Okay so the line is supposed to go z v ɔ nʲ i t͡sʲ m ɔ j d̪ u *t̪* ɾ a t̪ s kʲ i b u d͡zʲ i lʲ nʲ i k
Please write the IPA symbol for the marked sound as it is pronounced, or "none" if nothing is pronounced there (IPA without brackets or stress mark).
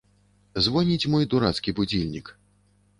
none